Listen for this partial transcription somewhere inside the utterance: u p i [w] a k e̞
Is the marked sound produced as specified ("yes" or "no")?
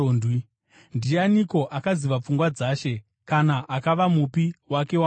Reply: yes